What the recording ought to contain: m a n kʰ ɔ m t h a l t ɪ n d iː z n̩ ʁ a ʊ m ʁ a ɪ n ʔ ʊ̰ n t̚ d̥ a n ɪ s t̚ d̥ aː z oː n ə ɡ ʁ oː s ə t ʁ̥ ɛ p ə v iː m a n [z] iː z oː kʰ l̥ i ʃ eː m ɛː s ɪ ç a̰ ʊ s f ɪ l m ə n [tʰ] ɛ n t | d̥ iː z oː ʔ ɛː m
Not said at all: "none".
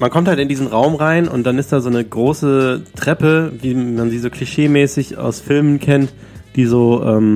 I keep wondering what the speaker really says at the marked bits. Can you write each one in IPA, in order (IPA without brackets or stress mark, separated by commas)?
z, kʰ